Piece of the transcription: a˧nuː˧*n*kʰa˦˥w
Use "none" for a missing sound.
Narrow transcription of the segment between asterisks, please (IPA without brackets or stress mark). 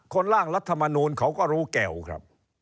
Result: n